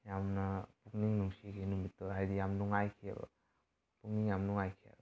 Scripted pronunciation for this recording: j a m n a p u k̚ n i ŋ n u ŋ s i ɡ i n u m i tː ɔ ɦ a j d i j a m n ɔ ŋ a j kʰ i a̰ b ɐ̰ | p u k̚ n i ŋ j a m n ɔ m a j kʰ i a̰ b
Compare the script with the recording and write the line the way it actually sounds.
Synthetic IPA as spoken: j a m n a p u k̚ n i ŋ n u ŋ s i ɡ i n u m i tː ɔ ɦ a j d i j a m n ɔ ŋ a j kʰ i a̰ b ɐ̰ | p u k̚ n i ŋ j a m n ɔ ŋ a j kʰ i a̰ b